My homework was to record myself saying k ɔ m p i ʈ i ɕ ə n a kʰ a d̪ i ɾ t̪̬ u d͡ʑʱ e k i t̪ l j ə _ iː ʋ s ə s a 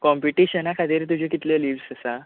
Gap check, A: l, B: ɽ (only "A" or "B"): A